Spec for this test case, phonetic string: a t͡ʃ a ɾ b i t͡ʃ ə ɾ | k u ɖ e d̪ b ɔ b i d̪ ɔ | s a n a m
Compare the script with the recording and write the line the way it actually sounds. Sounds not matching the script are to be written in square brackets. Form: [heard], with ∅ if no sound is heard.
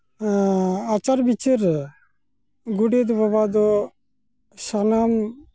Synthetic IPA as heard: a t͡ʃ a ɾ b i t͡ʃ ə ɾ | [ɡ] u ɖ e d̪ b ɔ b [a] d̪ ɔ | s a n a m